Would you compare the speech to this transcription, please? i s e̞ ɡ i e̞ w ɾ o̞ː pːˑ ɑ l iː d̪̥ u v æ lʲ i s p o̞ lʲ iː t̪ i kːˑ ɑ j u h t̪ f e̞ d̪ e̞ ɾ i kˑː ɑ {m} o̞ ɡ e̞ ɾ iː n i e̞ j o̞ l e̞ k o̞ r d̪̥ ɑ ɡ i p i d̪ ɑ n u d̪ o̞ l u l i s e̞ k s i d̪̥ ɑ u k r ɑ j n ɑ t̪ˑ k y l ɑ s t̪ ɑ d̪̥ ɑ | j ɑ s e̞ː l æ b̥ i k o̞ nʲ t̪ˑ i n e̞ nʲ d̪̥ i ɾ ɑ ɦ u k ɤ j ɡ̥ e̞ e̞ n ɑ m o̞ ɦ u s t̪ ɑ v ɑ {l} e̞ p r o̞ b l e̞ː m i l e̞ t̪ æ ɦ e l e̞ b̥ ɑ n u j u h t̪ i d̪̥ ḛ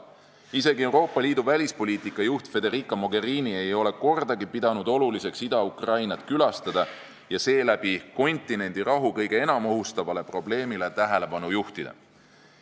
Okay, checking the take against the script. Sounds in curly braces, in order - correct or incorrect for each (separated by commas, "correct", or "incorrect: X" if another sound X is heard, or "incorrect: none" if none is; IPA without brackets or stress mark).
correct, correct